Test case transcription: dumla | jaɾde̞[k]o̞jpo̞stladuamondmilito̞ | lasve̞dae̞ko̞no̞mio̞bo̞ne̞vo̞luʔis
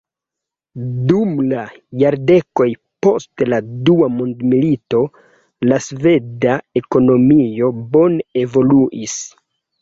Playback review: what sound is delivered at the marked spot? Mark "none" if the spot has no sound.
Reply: k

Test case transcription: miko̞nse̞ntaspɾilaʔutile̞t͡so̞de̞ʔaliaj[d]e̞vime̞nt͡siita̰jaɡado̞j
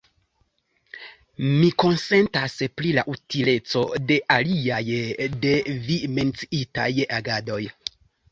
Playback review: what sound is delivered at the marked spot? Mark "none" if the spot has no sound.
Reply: d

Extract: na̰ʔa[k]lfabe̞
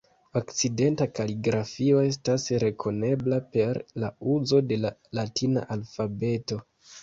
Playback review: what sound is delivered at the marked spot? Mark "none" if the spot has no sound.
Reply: none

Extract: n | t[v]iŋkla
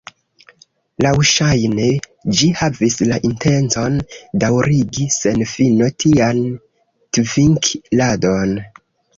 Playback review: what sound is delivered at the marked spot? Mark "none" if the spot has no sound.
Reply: v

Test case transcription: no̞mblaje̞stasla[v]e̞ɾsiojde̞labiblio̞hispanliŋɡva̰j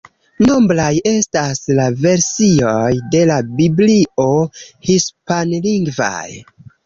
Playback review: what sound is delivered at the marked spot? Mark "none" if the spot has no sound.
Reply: v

